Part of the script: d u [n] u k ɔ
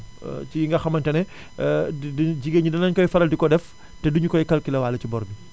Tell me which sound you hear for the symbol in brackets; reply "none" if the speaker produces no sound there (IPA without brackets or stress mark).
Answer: ɲ